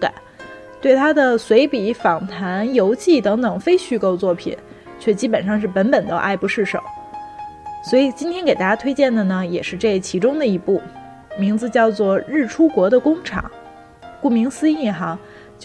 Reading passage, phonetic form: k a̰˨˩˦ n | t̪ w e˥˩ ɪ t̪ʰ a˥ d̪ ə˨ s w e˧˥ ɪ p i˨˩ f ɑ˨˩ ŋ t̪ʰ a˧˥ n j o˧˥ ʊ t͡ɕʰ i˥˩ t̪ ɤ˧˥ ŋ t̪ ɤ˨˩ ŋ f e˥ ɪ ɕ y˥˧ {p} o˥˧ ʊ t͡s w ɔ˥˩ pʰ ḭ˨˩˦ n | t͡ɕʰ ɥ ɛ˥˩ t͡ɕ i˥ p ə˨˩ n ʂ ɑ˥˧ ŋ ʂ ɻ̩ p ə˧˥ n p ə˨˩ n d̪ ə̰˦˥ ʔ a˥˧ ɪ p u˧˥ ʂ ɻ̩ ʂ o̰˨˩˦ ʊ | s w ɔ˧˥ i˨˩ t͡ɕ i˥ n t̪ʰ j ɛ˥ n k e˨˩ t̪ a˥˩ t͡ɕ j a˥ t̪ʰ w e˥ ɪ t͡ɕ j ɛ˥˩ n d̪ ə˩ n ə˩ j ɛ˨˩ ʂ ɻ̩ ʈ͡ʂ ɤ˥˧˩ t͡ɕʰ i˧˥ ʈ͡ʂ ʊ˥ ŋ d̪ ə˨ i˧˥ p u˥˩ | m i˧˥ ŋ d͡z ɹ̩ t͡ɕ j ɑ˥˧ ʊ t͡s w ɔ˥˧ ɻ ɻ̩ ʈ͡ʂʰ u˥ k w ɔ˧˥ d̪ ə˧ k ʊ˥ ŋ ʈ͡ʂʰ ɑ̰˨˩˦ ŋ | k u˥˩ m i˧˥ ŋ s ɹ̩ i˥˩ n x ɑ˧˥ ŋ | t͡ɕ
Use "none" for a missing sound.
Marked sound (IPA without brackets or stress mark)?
k